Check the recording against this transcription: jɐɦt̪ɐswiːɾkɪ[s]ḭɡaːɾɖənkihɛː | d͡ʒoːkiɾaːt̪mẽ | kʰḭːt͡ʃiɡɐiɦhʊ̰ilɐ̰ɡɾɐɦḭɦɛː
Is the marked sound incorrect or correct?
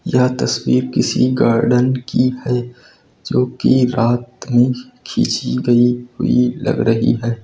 correct